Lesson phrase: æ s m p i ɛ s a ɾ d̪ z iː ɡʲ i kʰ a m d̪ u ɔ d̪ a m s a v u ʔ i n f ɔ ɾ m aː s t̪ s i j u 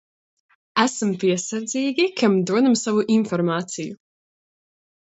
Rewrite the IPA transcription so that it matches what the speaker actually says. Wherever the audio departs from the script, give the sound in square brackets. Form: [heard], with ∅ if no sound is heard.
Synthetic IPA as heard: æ s m p i ɛ s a ɾ d̪ z iː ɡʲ i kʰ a m d̪ u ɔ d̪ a m s a v u ʔ i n f ɔ ɾ m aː [∅] t̪ s i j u